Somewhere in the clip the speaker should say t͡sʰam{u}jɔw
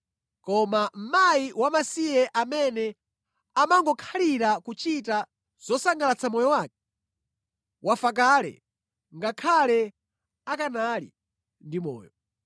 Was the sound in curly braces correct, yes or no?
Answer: no